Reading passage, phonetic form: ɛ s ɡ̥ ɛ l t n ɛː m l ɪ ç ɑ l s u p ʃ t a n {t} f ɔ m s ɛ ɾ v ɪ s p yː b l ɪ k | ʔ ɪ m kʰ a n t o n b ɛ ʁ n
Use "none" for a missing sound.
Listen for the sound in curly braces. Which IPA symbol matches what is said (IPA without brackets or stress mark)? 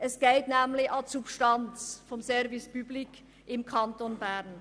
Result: t͡s